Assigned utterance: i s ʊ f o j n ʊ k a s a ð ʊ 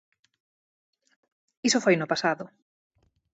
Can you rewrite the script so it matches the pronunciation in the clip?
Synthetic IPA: i s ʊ f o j n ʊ p a s a ð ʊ